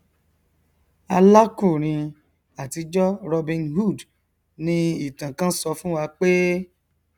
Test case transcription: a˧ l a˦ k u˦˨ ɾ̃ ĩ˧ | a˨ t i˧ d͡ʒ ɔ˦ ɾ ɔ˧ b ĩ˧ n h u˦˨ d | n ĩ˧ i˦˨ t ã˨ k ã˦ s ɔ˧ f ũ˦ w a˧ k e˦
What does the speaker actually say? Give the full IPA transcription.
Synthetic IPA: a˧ l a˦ k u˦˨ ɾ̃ ĩ˧ | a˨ t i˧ d͡ʒ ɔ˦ ɾ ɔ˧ b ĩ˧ n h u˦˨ d | n ĩ˧ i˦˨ t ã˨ k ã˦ s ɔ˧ f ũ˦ w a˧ k͡p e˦